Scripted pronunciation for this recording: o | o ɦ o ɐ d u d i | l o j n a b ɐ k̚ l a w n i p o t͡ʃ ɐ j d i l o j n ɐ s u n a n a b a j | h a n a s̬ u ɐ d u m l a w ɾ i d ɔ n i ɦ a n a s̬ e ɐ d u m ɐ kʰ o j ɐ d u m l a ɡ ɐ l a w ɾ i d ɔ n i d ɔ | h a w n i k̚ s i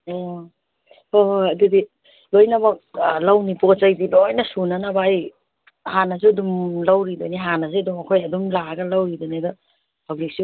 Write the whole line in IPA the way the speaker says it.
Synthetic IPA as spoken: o | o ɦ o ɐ d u d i | l o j n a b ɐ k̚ l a w n i p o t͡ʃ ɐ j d i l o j n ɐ s u n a n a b a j | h a n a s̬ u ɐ d u m l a w ɾ i d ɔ n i ɦ a n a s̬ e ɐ d u m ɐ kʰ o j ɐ d u m l a ɡ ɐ l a w ɾ i d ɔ n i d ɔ | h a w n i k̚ s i